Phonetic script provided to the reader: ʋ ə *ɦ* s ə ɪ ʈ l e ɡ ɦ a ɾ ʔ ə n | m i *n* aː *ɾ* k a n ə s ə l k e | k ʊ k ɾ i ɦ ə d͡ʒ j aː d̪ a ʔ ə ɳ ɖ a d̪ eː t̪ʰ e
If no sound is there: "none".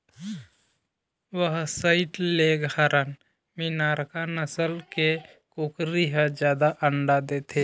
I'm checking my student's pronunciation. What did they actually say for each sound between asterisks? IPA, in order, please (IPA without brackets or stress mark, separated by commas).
ɦ, n, ɾ